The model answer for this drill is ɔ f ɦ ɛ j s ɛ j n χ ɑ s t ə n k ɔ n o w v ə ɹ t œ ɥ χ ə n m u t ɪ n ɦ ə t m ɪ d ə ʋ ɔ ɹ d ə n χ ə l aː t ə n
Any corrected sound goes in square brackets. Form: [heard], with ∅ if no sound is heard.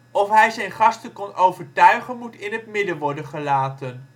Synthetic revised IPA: ɔ f ɦ ɛ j [z] ɛ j n χ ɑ s t ə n k ɔ n o w v ə ɹ t œ ɥ χ ə n m u t ɪ n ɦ ə t m ɪ d ə ʋ ɔ ɹ d ə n χ ə l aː t ə n